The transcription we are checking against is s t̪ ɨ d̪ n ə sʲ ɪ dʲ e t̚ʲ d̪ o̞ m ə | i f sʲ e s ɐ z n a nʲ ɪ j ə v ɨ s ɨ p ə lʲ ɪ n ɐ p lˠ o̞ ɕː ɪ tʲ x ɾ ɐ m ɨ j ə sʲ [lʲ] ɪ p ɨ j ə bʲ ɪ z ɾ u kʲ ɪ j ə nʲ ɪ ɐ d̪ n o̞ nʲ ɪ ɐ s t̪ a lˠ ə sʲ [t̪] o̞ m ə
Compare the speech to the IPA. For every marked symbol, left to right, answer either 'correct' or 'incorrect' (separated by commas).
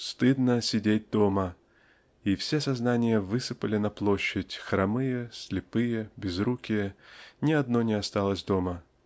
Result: correct, incorrect